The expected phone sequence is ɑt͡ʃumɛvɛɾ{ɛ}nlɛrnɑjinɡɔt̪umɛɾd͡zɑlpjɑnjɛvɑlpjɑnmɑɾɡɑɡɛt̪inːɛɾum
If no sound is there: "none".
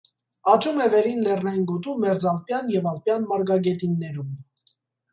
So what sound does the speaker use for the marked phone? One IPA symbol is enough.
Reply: i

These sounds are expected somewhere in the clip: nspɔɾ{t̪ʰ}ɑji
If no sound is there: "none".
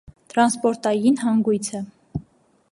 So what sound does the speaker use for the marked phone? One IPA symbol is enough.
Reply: t̪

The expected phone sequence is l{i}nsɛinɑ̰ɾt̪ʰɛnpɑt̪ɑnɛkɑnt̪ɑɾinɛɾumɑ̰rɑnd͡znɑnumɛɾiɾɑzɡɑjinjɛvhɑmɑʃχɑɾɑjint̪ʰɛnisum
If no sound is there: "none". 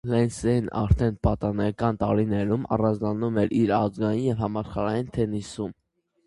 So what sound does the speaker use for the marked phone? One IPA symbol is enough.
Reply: ɛ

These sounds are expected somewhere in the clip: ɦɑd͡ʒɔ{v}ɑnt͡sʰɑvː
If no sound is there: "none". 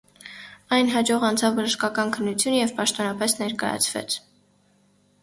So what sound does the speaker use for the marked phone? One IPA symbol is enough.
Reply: ʁ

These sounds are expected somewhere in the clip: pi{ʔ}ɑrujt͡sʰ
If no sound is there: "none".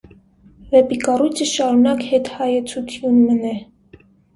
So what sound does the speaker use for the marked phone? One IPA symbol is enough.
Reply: k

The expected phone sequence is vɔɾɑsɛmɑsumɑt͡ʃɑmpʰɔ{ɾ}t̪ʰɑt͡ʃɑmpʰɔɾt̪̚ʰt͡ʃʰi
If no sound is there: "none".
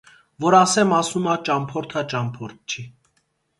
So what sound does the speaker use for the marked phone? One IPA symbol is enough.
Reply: ɾ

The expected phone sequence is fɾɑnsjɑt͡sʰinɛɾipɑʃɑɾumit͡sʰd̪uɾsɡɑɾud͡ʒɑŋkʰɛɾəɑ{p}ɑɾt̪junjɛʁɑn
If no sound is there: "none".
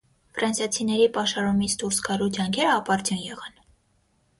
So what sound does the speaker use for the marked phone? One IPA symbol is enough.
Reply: p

